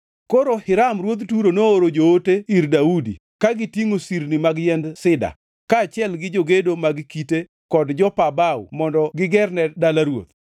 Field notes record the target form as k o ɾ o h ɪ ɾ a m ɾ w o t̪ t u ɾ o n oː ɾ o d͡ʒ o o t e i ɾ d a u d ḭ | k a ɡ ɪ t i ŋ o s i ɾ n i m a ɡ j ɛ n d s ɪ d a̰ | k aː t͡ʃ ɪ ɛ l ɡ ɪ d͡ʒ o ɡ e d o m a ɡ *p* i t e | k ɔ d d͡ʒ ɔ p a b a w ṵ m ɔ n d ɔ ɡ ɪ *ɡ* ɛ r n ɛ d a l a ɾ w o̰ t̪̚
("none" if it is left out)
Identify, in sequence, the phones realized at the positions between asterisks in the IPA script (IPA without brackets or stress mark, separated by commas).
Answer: k, ɡ